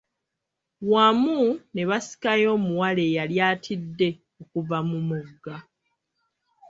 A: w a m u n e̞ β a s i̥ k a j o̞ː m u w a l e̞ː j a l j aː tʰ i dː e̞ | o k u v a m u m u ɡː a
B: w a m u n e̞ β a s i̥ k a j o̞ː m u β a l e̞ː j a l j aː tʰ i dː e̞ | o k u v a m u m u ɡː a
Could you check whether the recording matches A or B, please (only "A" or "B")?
A